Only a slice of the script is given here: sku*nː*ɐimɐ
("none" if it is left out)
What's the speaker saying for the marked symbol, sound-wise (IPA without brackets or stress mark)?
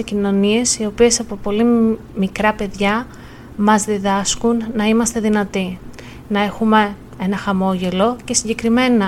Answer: nː